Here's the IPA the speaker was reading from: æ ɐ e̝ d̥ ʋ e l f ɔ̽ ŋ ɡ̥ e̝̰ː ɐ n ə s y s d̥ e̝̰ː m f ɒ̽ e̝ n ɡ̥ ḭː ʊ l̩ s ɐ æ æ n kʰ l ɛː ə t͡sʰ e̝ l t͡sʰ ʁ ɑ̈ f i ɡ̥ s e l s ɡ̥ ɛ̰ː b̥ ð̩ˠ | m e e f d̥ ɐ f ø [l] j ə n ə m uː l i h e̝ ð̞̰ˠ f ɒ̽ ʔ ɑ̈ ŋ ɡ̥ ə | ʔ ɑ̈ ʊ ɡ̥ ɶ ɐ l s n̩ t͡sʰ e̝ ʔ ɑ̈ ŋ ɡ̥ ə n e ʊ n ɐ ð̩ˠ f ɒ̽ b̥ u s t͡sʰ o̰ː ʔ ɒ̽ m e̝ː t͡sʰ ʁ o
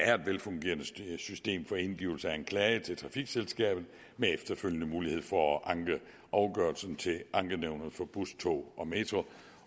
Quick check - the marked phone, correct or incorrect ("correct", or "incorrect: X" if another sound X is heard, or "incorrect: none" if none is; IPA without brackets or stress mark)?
correct